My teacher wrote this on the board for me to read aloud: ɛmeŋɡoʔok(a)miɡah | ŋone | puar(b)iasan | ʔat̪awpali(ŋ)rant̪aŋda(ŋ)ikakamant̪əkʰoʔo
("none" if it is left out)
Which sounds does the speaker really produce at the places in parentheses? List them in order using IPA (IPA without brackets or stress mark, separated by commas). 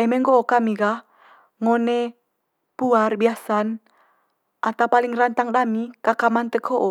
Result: a, b, ŋ, m